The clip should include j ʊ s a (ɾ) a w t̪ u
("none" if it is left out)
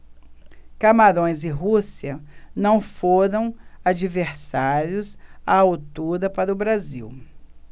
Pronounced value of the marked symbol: none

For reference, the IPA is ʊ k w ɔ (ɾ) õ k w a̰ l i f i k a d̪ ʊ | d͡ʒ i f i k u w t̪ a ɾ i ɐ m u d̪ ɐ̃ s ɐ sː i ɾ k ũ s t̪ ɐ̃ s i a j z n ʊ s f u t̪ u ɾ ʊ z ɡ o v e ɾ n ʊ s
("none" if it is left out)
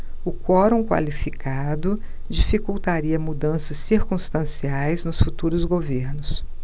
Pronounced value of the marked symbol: ɾ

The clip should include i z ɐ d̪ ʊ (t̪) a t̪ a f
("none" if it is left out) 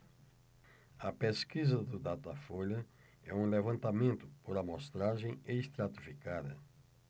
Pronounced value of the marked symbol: d̪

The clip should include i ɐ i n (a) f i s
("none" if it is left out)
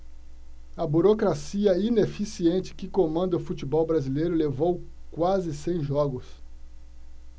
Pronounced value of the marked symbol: e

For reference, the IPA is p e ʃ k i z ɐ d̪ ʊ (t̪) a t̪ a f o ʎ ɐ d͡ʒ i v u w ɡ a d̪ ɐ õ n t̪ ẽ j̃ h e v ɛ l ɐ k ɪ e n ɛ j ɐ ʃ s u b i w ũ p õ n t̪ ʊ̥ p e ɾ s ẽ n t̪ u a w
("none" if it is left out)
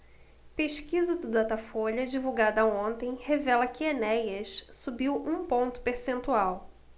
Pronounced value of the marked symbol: d̪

